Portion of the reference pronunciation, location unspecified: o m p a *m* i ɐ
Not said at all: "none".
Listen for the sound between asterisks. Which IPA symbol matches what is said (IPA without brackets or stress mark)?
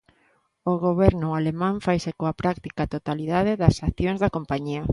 ɲ